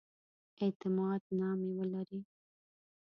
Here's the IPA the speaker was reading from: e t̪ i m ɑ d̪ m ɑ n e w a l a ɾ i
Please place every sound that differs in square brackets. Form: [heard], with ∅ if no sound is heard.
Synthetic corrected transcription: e t̪ [ɪ] m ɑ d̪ [n] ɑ [m] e w [ə] l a ɾ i